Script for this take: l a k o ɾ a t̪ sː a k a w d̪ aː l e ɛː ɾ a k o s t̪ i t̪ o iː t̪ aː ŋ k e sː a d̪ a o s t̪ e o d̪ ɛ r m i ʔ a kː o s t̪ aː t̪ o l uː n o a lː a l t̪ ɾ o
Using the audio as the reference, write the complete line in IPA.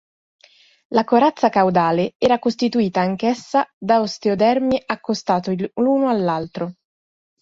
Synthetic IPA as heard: l a k o ɾ a t̪ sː a k a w d̪ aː l e ɛː ɾ a k o s t̪ i t̪ u iː t̪ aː ŋ k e sː a d̪ a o s t̪ e o d̪ ɛ r m i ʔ a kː o s t̪ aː t̪ o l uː n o a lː a l t̪ ɾ o